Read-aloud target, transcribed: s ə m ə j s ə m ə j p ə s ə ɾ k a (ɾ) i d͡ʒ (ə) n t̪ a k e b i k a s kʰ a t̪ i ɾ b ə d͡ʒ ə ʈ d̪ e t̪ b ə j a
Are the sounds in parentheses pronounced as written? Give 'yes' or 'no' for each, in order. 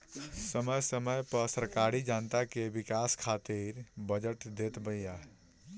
yes, no

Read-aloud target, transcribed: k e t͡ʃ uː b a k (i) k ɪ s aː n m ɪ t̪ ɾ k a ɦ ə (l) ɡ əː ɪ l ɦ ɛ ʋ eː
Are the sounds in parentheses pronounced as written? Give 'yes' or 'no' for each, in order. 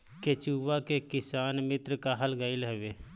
no, yes

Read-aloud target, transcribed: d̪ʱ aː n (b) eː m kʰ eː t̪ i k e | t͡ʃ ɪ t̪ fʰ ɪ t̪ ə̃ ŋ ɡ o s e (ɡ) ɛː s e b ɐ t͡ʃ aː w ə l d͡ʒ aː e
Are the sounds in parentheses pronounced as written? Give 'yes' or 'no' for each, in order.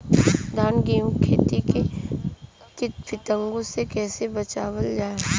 no, no

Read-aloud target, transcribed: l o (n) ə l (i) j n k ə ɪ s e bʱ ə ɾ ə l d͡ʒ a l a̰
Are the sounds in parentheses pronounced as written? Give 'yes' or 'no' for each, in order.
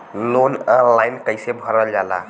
yes, no

